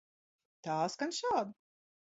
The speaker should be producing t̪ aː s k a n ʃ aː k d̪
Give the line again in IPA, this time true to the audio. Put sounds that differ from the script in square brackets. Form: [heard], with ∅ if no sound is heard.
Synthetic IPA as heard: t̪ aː s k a n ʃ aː [∅] d̪